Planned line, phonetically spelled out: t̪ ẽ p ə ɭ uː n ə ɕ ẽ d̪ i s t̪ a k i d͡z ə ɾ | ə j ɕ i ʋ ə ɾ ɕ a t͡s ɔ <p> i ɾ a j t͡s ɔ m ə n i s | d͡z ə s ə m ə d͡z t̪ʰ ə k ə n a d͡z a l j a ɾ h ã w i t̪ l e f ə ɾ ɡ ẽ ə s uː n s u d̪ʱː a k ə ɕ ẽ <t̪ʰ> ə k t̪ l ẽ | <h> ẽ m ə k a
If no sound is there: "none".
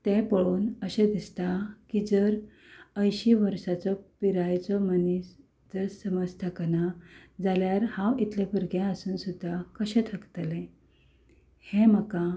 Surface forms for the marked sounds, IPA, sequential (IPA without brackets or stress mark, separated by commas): p, t̪ʰ, h